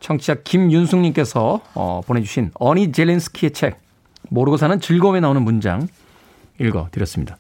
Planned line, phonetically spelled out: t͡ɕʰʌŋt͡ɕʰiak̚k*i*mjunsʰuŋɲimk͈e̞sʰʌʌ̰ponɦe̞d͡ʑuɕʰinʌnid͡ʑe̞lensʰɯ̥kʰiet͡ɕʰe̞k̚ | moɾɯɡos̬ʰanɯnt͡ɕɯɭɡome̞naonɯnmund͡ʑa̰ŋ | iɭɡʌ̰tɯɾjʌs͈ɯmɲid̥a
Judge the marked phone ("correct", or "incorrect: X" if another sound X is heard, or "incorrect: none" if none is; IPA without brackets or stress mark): correct